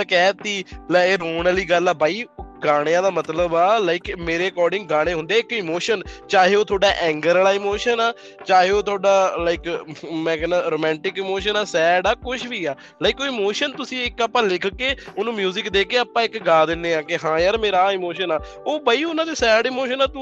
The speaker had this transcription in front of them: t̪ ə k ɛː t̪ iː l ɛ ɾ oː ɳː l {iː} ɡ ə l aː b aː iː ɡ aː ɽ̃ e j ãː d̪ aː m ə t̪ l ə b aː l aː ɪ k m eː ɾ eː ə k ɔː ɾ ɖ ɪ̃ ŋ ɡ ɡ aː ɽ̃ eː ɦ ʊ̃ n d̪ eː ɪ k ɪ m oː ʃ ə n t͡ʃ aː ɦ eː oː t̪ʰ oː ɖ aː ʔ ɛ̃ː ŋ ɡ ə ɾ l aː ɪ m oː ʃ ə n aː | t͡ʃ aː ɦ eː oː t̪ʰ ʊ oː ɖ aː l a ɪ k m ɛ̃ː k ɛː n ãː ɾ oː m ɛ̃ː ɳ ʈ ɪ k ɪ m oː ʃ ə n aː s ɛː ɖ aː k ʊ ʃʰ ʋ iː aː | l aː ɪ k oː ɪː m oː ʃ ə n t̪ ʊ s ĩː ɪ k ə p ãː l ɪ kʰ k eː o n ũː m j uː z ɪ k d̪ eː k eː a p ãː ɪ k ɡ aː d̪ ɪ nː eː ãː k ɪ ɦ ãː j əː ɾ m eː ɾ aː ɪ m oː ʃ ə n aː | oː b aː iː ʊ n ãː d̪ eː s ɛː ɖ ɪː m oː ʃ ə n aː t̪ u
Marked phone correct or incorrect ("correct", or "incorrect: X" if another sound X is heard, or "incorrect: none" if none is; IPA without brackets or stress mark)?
correct